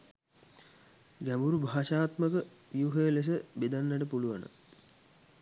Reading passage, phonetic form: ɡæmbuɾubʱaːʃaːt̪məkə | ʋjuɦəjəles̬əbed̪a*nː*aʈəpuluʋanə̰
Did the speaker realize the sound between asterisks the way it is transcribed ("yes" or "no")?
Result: yes